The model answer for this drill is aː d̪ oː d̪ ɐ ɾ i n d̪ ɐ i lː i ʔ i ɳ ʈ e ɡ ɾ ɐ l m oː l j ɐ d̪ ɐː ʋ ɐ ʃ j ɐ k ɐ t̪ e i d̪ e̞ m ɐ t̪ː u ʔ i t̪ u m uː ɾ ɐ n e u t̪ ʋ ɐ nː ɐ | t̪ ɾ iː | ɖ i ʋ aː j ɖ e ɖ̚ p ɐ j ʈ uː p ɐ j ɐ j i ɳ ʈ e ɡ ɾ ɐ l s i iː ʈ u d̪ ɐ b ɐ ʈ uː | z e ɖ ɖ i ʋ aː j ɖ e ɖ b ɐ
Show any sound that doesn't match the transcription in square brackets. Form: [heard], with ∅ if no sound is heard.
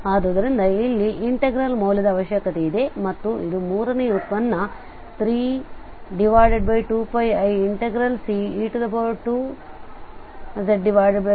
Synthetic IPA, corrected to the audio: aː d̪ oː d̪ ɐ ɾ i n d̪ ɐ i lː i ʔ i ɳ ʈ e ɡ ɾ ɐ l m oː l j ɐ d̪ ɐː ʋ ɐ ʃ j ɐ k ɐ t̪ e i d̪ e̞ m ɐ t̪ː u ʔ i [d̪] u m uː ɾ ɐ n e u t̪ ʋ ɐ nː ɐ | t̪ ɾ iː | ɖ i ʋ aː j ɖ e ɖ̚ [b] ɐ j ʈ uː p ɐ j ɐ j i ɳ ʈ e ɡ ɾ ɐ l s i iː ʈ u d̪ ɐ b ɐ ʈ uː | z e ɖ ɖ i ʋ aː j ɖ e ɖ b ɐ